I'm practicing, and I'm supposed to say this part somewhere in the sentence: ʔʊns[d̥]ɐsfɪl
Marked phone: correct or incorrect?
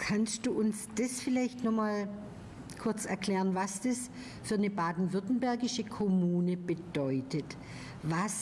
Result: correct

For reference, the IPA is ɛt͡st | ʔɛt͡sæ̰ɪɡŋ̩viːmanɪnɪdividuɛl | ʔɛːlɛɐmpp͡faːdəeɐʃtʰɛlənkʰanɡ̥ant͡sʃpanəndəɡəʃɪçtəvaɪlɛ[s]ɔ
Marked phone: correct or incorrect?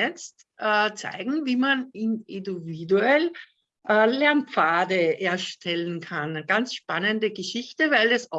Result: correct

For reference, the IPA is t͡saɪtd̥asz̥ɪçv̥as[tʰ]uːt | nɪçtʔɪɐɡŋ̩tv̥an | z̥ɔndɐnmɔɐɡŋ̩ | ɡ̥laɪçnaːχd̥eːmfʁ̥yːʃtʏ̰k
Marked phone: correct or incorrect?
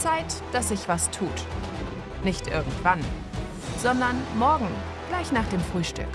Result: correct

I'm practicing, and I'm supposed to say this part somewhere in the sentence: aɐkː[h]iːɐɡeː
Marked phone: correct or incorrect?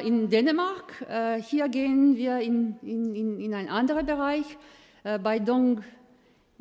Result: correct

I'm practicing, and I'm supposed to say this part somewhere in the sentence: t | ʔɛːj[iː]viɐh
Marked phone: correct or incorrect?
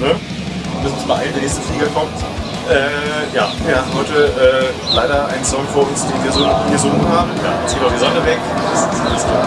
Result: incorrect: aː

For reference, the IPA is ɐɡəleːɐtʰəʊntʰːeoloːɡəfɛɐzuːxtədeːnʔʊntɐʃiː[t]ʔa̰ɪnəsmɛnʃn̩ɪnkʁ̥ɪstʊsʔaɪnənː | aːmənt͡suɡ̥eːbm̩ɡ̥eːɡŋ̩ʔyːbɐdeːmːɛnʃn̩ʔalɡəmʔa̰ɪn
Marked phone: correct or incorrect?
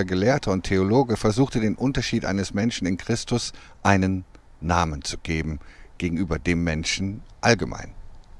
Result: correct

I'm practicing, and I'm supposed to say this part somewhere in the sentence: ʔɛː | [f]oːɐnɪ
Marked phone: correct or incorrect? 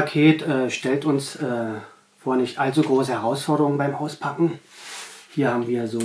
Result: correct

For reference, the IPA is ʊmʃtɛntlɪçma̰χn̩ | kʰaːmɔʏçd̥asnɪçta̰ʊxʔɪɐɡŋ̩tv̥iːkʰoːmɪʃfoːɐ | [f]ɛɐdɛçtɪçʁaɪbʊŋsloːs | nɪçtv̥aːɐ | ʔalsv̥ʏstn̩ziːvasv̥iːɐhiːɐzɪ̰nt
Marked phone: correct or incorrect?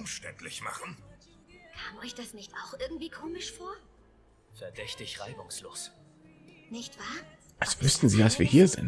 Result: correct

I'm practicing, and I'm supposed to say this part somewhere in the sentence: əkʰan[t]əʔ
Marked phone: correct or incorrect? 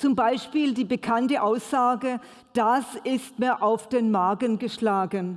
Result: correct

